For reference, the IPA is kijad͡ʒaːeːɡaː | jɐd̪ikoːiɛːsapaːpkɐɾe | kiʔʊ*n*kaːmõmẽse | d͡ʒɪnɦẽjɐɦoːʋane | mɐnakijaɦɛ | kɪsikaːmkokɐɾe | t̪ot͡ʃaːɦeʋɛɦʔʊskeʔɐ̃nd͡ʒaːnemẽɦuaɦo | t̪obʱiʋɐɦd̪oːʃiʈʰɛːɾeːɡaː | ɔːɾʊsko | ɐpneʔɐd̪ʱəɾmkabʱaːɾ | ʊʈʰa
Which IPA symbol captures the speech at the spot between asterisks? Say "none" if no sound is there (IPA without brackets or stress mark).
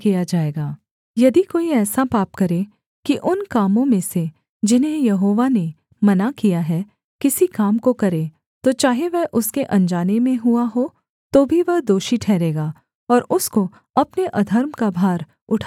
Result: n